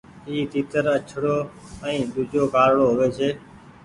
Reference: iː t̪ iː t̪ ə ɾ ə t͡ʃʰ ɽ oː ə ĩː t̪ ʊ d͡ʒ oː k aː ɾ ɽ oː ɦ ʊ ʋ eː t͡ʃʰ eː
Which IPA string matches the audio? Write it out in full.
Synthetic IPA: iː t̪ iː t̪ ə ɾ ə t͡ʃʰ ɽ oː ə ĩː d̪ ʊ d͡ʒ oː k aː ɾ ɽ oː ɦ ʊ ʋ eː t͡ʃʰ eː